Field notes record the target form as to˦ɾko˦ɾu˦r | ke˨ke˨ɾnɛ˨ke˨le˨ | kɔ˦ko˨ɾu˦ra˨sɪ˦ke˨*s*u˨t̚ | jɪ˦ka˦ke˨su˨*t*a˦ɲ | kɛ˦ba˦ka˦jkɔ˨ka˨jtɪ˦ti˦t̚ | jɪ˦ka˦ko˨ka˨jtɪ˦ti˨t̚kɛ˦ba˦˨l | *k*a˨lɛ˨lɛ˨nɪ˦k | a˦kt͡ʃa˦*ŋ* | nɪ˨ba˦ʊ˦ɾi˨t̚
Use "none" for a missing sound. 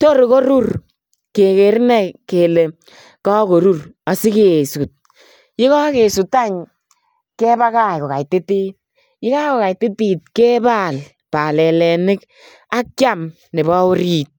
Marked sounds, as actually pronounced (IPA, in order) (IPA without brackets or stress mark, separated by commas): s, t, p, m